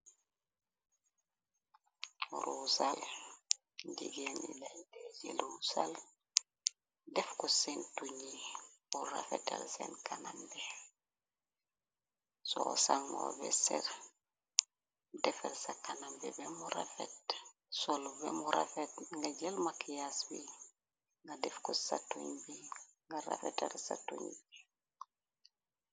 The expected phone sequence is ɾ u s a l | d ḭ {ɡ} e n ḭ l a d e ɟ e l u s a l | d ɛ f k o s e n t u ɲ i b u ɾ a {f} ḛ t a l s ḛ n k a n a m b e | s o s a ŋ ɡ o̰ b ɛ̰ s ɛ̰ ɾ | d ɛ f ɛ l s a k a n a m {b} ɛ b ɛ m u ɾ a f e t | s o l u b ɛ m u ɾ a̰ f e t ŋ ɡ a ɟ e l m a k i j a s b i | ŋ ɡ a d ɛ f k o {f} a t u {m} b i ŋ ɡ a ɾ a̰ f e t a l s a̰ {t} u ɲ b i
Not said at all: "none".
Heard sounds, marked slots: ɡ, f, b, s, ɲ, t

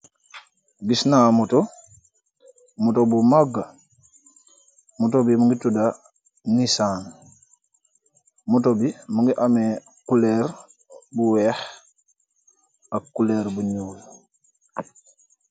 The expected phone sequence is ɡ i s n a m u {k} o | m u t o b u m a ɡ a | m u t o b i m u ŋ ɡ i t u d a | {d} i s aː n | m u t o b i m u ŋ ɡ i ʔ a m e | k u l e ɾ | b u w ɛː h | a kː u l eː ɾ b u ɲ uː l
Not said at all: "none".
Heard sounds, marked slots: t, n

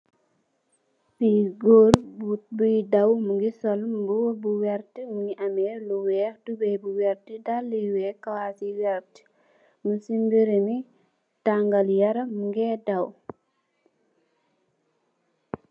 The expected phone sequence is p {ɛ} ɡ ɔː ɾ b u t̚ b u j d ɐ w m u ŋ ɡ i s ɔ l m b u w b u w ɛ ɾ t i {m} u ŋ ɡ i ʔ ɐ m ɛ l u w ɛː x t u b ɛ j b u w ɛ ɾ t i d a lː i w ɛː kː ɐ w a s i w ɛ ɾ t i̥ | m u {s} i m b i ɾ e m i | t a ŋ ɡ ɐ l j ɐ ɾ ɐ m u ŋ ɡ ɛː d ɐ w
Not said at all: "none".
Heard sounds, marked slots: i, m, s

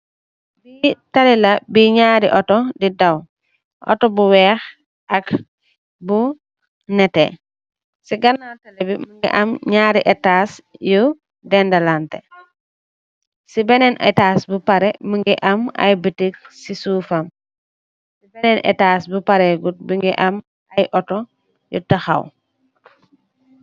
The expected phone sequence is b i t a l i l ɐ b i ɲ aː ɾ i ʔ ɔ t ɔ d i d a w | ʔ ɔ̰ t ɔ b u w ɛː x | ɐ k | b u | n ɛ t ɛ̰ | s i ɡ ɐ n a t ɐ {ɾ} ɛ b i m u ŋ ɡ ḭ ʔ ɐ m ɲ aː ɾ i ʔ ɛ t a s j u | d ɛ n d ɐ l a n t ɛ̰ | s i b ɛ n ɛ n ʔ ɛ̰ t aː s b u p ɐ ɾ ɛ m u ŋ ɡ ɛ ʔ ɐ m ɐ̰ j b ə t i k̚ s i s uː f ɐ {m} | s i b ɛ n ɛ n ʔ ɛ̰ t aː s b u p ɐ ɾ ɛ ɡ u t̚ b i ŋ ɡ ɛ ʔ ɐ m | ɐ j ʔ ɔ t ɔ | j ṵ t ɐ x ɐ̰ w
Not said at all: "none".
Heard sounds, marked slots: l, m

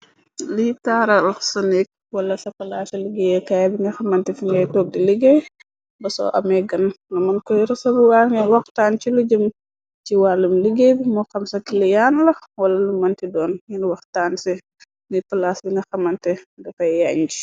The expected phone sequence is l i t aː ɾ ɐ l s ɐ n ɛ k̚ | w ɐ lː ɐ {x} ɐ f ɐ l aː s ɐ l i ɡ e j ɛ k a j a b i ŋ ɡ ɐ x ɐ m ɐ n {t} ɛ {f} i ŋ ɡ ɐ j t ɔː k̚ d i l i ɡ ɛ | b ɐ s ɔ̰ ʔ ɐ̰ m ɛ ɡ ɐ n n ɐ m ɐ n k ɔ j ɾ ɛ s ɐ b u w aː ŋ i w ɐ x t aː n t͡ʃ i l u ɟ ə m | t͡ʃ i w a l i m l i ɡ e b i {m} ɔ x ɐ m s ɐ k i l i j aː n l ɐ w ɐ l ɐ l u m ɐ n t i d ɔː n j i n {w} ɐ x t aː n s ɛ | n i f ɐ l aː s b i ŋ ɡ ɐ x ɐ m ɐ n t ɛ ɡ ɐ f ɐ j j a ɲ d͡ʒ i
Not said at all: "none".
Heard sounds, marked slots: s, t, f, m, w

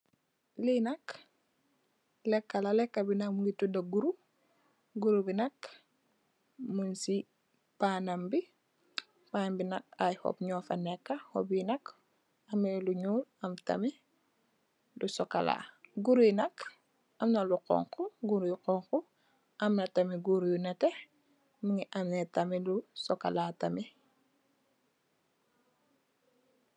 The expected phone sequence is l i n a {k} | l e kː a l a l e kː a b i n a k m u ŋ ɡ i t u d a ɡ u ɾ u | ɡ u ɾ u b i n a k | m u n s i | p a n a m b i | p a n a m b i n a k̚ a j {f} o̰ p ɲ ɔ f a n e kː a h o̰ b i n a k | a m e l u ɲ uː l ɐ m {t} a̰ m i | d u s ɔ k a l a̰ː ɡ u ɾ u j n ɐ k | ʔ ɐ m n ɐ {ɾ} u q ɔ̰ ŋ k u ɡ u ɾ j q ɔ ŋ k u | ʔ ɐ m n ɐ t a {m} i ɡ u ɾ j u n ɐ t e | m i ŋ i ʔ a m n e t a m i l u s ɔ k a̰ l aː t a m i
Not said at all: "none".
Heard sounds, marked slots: k, h, t, l, m

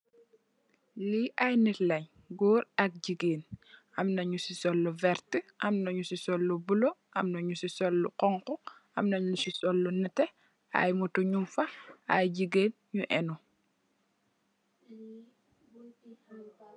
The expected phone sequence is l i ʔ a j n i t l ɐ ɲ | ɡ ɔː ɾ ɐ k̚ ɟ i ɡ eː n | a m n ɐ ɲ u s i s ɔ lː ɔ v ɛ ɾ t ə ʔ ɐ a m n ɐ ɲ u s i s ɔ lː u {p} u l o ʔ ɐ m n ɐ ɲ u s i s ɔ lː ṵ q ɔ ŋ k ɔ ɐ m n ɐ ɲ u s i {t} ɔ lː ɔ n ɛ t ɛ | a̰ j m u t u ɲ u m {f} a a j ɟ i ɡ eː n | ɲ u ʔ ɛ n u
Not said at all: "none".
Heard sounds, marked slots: b, s, f

